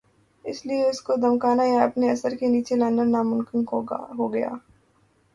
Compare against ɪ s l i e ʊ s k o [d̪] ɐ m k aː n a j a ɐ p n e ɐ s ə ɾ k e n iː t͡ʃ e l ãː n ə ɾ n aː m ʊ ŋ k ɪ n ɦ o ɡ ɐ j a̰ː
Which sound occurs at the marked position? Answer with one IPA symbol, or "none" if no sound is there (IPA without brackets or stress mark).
d̪